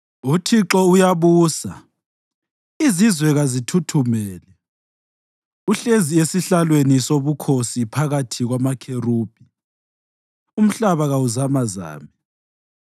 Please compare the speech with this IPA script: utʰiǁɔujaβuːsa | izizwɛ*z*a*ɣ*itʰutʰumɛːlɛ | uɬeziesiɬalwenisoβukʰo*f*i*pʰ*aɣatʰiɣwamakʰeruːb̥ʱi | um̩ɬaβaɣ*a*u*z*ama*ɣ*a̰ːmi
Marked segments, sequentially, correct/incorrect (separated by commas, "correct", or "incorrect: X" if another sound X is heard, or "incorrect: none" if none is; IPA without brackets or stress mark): incorrect: ɣ, incorrect: z, incorrect: s, correct, correct, correct, incorrect: z